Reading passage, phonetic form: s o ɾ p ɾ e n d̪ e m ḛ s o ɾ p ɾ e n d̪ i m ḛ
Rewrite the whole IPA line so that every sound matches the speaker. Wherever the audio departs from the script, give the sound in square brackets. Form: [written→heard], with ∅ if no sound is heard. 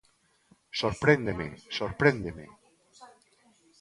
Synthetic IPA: s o ɾ p ɾ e n d̪ e m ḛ s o ɾ p ɾ e n d̪ [i→e] m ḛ